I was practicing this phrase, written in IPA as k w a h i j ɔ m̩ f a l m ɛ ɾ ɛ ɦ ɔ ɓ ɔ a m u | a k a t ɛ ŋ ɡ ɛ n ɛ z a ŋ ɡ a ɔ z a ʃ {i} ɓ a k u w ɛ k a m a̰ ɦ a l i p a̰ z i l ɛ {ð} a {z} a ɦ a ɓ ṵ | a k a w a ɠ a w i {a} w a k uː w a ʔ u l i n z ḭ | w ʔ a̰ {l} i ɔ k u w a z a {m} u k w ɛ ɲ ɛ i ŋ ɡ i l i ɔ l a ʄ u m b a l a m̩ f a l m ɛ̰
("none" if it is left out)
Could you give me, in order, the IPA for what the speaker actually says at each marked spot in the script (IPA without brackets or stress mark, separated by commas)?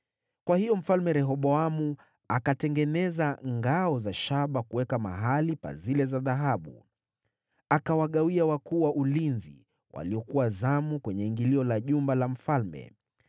a, z, ð, a, l, m